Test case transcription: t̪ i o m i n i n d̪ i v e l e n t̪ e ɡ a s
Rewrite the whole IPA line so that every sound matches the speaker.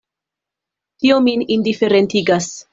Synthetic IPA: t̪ i o m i n i n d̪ i f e ɾ e n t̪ i ɡ a s